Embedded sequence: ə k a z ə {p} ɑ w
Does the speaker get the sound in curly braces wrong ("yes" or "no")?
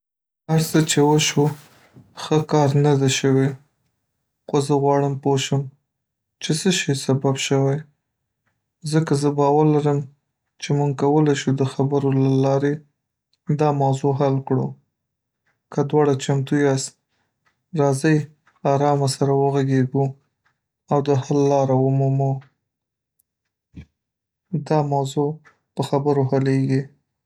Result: yes